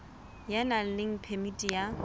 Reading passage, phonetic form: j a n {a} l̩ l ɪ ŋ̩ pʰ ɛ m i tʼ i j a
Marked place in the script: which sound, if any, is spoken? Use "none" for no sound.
a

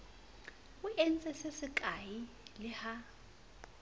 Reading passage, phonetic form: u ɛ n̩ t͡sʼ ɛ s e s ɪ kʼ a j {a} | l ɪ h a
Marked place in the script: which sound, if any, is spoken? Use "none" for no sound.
i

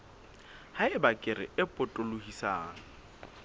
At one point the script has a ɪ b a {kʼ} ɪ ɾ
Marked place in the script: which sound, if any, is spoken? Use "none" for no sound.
kʼ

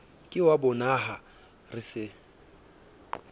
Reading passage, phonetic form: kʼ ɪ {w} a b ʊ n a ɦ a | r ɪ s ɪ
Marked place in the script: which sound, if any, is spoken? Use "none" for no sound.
w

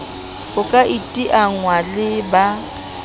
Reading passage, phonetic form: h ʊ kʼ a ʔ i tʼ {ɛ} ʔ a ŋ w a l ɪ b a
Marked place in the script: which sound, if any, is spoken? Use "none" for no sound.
i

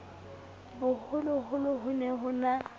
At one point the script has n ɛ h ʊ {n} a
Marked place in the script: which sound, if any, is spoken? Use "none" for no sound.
n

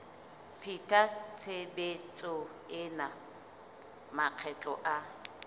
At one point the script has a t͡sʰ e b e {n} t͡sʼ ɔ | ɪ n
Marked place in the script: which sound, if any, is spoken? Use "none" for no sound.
none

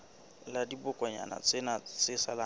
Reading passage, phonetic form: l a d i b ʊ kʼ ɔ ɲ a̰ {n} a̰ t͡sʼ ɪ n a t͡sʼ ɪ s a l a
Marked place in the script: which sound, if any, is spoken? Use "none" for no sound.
n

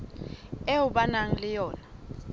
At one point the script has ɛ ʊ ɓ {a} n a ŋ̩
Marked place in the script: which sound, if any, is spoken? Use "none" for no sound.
a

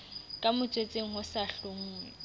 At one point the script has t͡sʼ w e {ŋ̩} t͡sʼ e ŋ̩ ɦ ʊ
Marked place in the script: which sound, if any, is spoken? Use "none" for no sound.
none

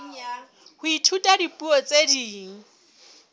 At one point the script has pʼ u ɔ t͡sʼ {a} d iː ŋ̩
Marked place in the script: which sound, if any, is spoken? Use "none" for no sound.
e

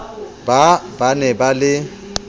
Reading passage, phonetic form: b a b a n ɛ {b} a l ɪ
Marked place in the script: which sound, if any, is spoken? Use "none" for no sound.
b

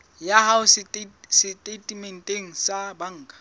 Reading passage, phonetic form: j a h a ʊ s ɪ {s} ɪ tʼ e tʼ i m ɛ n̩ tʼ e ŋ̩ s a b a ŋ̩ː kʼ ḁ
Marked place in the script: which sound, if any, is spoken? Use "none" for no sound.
s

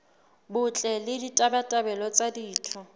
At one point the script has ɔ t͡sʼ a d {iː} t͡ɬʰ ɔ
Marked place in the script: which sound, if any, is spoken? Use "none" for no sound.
iː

